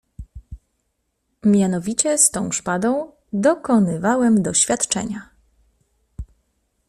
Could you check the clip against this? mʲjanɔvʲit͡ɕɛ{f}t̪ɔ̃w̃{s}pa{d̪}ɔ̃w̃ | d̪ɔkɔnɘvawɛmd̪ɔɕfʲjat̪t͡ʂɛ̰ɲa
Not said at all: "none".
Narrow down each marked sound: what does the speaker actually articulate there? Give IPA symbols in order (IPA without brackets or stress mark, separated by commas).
s, ʂ, d̪